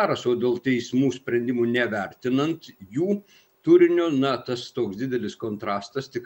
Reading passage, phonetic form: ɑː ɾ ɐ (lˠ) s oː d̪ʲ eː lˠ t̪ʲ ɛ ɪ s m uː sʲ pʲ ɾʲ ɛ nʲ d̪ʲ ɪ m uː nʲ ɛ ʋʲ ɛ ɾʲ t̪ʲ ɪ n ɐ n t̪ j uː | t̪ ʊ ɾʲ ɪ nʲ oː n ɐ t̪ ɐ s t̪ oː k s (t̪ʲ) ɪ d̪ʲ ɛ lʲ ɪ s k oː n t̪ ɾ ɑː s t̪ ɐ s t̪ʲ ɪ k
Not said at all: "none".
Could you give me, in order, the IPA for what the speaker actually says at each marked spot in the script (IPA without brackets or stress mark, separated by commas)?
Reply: none, d̪ʲ